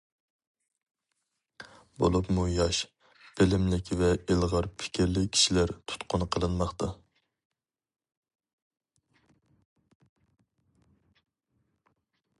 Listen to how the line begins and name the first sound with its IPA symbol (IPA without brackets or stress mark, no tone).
b